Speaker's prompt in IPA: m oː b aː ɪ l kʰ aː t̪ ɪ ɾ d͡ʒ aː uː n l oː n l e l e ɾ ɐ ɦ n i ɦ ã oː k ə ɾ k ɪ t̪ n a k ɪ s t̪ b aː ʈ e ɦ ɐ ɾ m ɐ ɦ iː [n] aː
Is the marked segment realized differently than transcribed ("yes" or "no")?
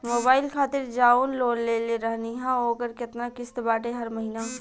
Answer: no